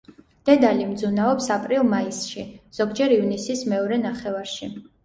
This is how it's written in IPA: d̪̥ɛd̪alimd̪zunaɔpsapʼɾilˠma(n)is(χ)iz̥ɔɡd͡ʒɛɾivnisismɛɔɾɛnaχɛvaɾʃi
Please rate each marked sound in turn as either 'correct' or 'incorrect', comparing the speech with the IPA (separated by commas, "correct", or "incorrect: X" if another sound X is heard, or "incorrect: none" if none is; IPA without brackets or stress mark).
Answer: incorrect: none, incorrect: ʃ